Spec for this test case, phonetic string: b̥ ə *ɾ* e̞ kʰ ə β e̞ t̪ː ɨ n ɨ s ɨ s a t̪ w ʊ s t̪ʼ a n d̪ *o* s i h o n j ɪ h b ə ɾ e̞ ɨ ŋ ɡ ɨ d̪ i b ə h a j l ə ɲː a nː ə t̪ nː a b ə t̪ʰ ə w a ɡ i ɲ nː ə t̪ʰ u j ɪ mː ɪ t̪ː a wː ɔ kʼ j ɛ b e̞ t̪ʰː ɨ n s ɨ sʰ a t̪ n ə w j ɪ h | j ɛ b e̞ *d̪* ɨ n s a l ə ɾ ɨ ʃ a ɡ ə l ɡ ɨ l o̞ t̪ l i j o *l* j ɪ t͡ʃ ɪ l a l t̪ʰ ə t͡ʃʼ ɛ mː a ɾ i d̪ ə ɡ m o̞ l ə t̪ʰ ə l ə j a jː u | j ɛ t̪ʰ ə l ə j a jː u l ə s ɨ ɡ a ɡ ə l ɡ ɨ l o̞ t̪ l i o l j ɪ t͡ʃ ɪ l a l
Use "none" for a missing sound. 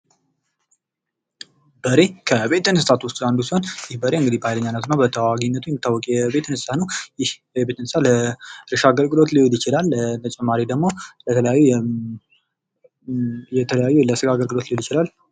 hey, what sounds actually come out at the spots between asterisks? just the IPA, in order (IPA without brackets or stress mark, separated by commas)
ɾ, u, t̪, l